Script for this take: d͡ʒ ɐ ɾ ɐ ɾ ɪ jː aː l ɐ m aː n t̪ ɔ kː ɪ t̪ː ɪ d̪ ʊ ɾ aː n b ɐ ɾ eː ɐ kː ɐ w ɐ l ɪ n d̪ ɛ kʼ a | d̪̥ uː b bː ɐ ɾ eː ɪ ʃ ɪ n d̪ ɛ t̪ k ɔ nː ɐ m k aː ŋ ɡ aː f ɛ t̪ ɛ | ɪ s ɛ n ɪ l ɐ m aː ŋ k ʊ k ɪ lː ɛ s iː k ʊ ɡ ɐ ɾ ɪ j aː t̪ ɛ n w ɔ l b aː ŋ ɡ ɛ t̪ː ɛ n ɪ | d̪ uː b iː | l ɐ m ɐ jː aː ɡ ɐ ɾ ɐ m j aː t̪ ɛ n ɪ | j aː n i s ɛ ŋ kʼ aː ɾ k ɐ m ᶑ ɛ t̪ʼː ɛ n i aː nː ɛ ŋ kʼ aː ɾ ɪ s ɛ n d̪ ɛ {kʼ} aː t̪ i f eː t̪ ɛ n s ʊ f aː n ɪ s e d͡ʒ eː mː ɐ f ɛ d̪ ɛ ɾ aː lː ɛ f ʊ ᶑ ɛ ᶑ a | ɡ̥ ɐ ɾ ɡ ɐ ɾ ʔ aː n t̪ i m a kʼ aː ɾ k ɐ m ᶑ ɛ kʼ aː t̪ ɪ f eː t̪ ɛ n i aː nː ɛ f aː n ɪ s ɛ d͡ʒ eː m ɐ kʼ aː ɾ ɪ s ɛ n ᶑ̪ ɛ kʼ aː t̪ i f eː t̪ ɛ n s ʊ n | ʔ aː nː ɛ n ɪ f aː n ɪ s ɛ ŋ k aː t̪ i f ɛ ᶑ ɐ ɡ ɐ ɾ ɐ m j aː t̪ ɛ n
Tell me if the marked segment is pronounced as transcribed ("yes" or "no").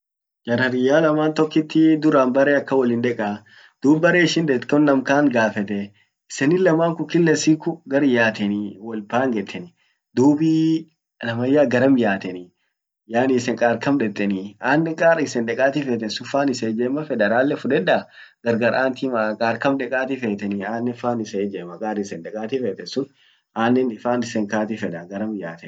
yes